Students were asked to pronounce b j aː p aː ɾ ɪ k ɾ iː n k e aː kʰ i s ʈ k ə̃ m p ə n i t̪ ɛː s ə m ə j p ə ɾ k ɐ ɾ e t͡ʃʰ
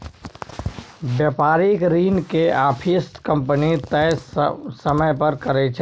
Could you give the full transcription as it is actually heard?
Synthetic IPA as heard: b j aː p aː ɾ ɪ k ɾ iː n k e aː pʰ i s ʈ k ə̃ m p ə n i t̪ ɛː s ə m ə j p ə ɾ k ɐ ɾ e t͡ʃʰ